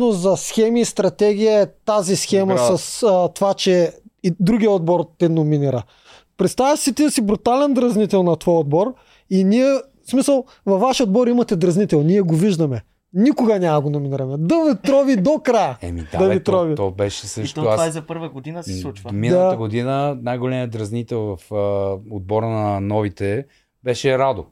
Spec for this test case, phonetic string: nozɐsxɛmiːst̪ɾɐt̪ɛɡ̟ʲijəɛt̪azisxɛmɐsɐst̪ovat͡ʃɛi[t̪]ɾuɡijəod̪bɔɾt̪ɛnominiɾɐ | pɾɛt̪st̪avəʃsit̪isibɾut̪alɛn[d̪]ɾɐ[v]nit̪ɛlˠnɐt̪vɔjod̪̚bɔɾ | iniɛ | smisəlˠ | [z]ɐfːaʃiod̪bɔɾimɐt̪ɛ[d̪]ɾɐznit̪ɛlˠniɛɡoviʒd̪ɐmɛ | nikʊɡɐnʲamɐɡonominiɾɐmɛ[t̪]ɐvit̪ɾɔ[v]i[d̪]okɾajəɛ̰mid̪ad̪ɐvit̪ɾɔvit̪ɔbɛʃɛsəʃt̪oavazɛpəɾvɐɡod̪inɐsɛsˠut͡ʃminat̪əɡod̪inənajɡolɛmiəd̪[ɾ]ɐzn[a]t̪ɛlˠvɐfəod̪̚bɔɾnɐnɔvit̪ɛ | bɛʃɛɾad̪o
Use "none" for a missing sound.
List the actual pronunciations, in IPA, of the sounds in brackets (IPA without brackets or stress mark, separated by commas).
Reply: d̪, d̪, z, v, d̪, d̪, v, d̪, ɾ, i